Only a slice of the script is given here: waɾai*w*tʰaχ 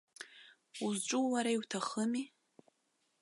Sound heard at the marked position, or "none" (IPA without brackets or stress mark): w